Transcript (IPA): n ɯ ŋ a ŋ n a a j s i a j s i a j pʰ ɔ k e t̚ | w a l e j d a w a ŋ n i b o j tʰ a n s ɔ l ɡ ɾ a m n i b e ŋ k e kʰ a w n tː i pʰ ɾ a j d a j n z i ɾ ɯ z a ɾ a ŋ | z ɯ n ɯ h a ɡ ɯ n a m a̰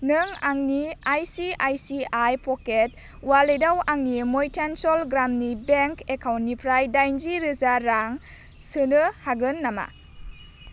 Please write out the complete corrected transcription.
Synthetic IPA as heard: n ɯ ŋ a ŋ n i a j s i a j s i a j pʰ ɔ k e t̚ | w a l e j d a w a ŋ n i m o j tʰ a n s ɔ l ɡ ɾ a m n i b e ŋ k e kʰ a w n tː i pʰ ɾ a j d a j n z i ɾ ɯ z a ɾ a ŋ | s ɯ n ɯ h a ɡ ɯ nː a m a̰

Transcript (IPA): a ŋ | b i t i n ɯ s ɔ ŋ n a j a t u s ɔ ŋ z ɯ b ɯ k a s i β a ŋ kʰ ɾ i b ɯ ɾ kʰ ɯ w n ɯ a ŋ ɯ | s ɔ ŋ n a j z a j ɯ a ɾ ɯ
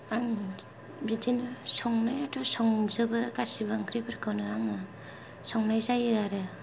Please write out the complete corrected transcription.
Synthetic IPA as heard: a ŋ | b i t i n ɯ s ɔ ŋ n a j a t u s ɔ ŋ z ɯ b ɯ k a s i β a ŋ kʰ ɾ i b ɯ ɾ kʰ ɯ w n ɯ a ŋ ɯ | s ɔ ŋ n a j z a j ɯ a ɾ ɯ

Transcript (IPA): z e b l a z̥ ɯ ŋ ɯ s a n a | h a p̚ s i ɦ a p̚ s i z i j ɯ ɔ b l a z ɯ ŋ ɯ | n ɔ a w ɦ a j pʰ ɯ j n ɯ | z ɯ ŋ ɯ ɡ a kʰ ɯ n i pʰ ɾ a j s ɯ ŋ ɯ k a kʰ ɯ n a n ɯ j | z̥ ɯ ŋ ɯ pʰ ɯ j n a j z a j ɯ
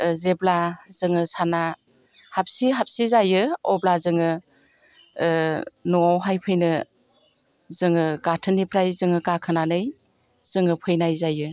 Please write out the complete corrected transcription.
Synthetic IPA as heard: z e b l a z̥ ɯ ŋ ɯ s a n a | h a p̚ s i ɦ a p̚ s i z a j ɯ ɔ b l a z ɯ ŋ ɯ | n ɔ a w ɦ a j pʰ ɯ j n ɯ | z ɯ ŋ ɯ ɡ a tʰ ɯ n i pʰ ɾ a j z ɯ ŋ ɯ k a kʰ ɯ n a n ɯ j | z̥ ɯ ŋ ɯ pʰ ɯ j n a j z a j ɯ

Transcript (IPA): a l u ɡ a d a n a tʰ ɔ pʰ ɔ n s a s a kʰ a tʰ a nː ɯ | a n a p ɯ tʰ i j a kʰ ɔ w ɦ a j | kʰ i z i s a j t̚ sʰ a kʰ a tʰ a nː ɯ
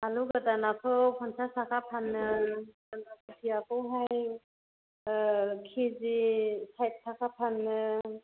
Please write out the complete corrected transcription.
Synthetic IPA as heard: a l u ɡ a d a n a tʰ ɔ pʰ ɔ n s a s a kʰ a pʰ a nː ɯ | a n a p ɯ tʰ i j a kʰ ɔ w ɦ a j | kʰ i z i s a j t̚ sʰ a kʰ a pʰ a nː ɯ

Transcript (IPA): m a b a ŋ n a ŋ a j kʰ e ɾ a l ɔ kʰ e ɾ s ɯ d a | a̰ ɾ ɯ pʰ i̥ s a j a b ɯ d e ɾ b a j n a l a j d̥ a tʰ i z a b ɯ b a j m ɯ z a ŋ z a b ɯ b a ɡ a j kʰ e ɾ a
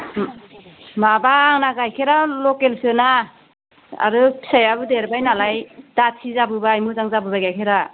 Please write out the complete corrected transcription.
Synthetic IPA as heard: m a b a ŋ n a ɡ a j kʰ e ɾ a l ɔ k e l s ɯ n a | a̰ ɾ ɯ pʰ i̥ s a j a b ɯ d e ɾ b a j n a l a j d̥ a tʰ i z a b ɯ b a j m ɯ z a ŋ z a b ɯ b a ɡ a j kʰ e ɾ a

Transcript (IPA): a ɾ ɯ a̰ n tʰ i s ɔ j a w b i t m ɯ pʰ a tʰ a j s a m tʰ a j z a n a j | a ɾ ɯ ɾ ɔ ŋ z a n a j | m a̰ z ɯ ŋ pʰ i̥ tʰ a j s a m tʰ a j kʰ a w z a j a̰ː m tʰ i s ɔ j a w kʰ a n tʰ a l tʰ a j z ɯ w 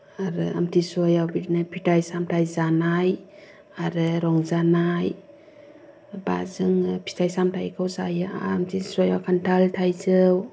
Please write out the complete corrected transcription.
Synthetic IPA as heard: a ɾ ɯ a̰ m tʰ i s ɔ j a w b i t n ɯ pʰ i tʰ a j s a m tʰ a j z a n a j | a ɾ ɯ ɾ ɔ ŋ z a n a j | b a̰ z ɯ ŋ pʰ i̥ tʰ a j s a m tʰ a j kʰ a w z a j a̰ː m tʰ i s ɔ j a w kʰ a n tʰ a l tʰ a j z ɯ w

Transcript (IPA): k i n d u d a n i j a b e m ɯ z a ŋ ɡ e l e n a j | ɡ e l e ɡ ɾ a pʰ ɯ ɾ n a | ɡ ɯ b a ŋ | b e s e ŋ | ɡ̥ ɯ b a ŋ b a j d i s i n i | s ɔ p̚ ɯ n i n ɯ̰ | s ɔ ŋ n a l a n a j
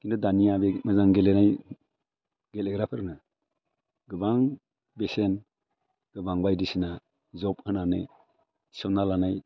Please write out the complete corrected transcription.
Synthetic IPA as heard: k i n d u d a n i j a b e m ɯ z a ŋ ɡ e l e n a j | ɡ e l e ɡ ɾ a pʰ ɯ ɾ n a | ɡ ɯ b a ŋ | b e s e n | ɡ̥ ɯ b a ŋ b a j d i s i n a | z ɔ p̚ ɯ n a n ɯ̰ | s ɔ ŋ n a l a n a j

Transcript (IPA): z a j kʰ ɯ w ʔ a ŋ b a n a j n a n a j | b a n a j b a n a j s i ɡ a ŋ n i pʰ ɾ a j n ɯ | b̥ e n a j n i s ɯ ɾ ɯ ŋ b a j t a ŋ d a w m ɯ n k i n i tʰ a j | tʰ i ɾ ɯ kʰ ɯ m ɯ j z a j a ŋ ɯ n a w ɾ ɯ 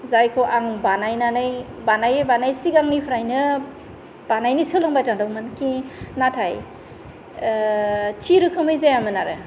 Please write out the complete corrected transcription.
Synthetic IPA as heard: z a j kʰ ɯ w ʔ a ŋ b a n a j n a n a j | b a n a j b a n a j s i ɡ a ŋ n i pʰ ɾ a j n ɯ | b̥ a n a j n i s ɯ l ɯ ŋ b a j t a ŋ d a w m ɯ n k i n a tʰ a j | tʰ i ɾ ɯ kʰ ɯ m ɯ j z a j a m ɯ n a ɾ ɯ

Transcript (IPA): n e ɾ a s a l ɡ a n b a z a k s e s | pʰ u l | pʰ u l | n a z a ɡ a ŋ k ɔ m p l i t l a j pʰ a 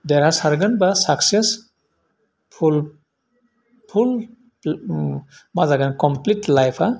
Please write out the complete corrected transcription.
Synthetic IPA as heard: d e ɾ a s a ɾ ɡ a n b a s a k s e s | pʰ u l | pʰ u l | m a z a ɡ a n k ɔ m p l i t l a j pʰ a

